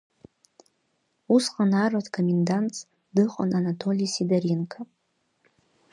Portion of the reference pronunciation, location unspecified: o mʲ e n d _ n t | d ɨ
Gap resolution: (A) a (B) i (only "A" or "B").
A